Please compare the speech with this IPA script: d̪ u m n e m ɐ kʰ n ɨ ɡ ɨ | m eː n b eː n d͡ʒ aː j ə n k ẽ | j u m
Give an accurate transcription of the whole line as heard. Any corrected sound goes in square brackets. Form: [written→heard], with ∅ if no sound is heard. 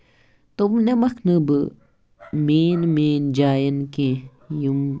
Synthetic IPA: [d̪→t̪] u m n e m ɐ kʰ n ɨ [ɡ→b] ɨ | m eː n [b→m] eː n d͡ʒ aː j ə n k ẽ | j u m